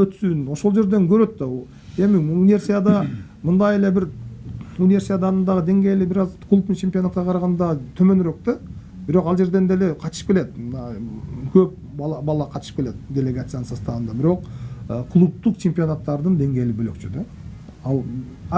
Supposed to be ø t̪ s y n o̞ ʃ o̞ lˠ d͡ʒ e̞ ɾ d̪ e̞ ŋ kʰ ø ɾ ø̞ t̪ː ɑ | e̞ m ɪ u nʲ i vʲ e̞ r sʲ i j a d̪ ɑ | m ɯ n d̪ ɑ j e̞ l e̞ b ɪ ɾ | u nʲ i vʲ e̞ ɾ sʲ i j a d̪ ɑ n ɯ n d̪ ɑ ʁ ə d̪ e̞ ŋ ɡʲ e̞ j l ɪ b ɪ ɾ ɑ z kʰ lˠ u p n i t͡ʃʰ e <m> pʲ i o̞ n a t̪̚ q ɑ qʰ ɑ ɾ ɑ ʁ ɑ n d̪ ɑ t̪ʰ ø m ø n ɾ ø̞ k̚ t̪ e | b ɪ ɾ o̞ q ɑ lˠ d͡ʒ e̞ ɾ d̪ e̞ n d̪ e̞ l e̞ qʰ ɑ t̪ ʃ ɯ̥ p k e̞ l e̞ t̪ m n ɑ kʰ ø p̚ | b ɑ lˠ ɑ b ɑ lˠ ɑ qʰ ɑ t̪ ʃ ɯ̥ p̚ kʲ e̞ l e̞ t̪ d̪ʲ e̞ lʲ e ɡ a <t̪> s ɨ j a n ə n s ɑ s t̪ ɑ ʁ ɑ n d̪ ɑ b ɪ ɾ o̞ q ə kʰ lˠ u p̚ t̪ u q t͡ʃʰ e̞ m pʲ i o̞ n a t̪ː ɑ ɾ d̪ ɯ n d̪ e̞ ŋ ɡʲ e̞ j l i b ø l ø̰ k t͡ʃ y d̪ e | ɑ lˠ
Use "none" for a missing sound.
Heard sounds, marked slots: m, t̪

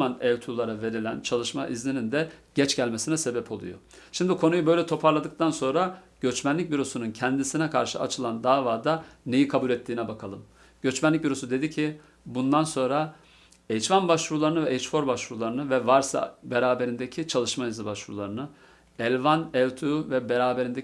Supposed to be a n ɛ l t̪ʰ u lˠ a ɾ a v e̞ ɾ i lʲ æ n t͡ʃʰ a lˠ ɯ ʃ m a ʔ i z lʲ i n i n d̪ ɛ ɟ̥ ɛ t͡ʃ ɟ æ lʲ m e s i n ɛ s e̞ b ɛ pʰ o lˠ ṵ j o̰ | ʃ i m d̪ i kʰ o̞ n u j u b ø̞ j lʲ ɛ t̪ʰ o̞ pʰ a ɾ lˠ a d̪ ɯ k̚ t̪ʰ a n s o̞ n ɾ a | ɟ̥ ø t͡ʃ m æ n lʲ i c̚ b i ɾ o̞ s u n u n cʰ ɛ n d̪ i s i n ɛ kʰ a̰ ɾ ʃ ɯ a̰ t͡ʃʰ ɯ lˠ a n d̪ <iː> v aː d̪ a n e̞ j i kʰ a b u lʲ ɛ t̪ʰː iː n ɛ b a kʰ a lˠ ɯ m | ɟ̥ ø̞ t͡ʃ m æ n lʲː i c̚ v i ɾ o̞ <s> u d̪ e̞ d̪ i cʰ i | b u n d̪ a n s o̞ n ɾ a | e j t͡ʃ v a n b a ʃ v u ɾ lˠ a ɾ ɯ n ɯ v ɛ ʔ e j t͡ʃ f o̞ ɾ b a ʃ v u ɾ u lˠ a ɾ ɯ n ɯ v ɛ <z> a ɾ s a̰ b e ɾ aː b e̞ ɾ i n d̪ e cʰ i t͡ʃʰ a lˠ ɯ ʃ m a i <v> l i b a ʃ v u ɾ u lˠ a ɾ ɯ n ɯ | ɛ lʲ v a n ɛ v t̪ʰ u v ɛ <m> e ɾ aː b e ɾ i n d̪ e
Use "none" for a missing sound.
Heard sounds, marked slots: aː, s, v, z, b

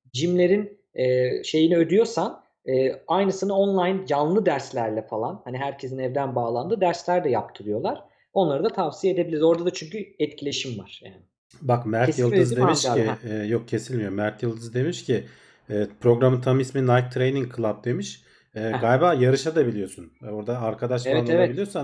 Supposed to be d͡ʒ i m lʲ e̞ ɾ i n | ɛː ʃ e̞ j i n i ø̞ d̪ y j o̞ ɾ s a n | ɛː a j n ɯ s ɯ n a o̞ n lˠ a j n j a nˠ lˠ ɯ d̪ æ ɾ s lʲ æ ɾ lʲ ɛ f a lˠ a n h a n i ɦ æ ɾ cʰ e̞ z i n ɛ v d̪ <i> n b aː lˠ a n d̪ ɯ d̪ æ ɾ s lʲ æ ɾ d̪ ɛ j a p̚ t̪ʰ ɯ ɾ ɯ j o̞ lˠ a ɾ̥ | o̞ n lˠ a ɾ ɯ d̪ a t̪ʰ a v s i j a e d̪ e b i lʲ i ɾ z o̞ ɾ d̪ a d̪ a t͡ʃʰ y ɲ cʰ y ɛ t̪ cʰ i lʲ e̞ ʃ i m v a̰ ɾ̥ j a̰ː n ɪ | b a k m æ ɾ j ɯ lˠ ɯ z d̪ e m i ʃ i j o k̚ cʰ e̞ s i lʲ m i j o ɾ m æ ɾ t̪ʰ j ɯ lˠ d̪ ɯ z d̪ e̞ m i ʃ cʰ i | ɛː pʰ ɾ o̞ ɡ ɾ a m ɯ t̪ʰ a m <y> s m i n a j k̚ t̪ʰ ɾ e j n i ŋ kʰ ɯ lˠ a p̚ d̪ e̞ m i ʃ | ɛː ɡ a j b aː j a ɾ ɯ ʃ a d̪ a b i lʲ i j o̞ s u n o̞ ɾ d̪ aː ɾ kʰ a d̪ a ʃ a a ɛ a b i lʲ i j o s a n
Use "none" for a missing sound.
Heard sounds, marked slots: æ, i

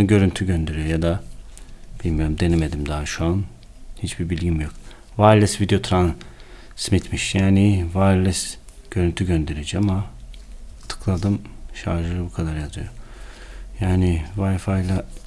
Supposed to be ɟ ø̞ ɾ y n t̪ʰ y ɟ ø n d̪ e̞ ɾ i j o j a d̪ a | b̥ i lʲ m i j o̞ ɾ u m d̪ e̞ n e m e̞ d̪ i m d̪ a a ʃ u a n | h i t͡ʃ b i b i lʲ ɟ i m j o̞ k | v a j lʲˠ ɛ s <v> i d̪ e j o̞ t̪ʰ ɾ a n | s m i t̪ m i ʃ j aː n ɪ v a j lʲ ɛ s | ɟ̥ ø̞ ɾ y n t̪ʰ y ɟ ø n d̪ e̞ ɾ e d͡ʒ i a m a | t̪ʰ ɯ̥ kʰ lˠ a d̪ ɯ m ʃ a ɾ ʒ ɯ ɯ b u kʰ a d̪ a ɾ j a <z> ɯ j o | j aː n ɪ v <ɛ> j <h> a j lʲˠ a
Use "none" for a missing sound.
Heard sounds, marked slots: v, z, a, f

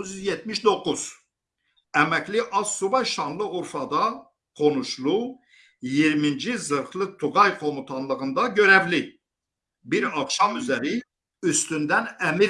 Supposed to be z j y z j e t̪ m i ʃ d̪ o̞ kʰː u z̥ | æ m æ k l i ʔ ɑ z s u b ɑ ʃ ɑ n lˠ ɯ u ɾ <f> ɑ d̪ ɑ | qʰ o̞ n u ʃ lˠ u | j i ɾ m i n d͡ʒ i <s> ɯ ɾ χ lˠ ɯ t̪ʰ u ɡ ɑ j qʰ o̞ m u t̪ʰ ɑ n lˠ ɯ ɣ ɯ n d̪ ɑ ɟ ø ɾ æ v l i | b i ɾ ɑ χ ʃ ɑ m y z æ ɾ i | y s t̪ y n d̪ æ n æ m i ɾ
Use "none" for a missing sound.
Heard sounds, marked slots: f, z

